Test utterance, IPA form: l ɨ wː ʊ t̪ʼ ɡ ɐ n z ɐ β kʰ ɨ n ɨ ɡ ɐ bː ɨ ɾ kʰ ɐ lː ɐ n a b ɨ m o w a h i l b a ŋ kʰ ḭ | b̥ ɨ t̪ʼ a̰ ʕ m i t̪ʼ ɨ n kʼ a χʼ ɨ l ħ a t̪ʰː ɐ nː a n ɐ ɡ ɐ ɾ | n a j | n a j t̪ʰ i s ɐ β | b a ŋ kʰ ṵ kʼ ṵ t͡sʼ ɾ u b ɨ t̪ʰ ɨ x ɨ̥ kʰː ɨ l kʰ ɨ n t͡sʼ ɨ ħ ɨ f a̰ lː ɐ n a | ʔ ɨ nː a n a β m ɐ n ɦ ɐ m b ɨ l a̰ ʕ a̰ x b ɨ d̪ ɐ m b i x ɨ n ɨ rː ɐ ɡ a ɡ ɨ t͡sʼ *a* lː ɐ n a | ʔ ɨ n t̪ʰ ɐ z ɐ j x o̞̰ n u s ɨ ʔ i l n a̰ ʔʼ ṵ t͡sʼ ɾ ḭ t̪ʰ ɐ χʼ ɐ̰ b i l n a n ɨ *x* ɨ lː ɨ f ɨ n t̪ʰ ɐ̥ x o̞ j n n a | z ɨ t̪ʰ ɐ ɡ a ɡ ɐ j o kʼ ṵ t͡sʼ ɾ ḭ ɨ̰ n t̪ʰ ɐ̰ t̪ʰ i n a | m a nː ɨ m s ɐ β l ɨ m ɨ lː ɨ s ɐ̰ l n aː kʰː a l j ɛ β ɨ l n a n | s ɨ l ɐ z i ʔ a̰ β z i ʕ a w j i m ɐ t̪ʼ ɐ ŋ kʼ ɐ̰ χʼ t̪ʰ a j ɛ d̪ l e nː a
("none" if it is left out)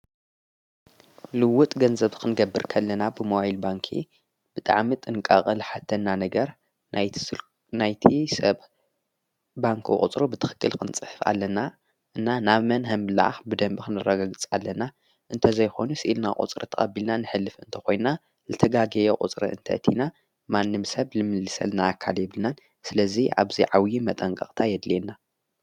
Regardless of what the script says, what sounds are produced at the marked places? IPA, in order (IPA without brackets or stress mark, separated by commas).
a, ħ